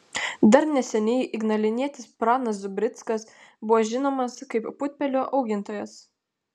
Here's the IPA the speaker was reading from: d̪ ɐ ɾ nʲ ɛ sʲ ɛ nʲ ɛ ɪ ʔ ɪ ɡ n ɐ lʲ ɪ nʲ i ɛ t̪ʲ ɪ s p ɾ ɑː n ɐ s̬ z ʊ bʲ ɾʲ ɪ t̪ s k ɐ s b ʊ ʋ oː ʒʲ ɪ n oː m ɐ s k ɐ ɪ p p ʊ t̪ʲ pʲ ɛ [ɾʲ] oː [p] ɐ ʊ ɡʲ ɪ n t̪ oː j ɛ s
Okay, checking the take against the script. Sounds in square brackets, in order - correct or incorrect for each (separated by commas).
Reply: incorrect, incorrect